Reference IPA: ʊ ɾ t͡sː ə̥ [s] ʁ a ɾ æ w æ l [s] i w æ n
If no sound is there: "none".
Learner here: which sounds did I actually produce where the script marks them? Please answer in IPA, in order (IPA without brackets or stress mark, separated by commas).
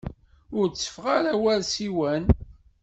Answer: f, s